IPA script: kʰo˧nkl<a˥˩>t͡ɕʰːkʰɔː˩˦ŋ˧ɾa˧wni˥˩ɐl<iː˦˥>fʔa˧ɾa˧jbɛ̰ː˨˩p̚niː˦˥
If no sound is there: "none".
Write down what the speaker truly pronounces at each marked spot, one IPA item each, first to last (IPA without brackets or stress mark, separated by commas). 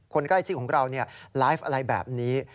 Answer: a˥˩, aː˦˥